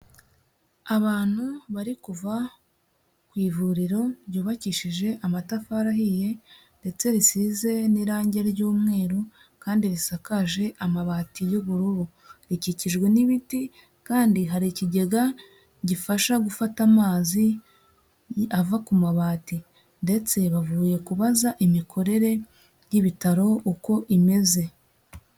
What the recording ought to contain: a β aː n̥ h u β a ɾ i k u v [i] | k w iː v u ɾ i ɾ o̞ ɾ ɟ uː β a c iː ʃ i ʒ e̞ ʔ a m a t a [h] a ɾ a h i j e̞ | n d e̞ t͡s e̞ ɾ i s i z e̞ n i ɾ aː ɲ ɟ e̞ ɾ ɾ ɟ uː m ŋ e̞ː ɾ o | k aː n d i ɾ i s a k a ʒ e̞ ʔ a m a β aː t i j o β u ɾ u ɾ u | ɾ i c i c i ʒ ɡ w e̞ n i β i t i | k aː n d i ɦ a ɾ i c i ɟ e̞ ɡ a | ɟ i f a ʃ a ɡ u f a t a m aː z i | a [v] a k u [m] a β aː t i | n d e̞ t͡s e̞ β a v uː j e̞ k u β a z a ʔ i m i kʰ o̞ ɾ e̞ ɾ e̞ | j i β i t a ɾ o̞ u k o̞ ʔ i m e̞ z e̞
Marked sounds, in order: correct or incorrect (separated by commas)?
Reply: incorrect, incorrect, correct, correct